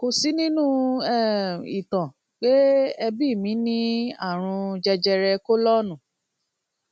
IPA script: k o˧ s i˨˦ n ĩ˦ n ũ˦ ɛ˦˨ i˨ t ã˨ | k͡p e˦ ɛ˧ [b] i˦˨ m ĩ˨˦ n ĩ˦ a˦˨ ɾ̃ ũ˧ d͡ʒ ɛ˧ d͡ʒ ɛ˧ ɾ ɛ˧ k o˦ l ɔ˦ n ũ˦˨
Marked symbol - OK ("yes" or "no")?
yes